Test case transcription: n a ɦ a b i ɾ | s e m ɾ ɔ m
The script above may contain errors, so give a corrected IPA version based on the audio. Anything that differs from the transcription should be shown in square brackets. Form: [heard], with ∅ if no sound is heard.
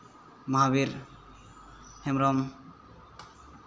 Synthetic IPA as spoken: [m] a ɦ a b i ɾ | [h] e m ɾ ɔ m

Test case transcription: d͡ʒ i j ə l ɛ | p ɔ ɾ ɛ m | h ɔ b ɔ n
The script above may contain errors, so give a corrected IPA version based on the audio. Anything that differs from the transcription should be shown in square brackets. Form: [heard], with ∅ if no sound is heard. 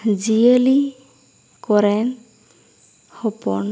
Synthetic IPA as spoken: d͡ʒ i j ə l [i] | [k] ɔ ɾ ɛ [n] | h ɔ [p] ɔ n

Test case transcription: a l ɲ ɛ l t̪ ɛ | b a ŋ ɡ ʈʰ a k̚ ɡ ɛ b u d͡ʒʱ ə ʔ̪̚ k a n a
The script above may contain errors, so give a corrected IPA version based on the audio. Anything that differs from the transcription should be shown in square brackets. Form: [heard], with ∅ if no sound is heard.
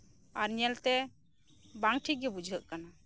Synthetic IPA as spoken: a [ɾ] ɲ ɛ l t̪ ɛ | b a ŋ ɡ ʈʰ [i] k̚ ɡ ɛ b u d͡ʒʱ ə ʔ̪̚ k a n a

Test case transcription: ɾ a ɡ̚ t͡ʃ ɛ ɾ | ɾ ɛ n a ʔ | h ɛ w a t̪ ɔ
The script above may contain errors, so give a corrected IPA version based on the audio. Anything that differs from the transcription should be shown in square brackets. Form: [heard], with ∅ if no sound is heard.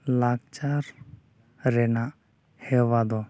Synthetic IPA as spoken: [l] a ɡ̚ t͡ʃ [a] ɾ | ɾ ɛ n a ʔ | h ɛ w a [d̪] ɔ

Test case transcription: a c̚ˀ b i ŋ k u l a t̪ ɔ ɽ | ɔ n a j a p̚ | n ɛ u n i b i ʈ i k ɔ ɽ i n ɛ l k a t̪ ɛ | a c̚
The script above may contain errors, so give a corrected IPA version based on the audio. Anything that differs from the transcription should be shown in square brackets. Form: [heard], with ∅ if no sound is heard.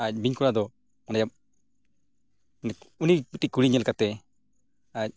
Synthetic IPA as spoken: a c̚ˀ b i [ɲ] k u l a [d̪] ɔ [∅] | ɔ n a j a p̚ | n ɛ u n i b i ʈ i k [u] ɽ i [ɲ] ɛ l k a t̪ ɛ | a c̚

